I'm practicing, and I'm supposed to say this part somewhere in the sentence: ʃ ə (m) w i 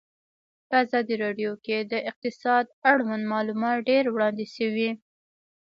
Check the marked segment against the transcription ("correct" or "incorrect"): incorrect